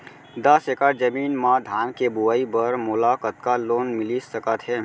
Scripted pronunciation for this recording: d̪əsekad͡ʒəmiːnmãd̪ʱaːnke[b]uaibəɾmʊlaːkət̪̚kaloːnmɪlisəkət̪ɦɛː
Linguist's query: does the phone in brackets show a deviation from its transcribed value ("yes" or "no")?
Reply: no